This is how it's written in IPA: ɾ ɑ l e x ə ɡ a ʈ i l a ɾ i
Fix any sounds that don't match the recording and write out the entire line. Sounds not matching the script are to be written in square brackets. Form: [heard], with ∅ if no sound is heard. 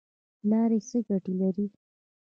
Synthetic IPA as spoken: [l] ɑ [ɾ] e [s] ə ɡ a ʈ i l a ɾ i